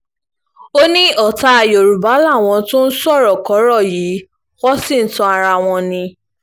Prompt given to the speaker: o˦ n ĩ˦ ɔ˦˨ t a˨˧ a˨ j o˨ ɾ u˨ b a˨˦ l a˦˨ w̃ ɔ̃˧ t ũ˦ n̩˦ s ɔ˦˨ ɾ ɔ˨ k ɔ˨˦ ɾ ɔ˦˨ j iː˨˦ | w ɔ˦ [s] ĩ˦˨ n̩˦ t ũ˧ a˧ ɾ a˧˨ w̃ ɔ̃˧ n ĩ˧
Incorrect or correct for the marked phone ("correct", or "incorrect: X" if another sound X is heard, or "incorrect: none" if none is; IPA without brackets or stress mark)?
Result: correct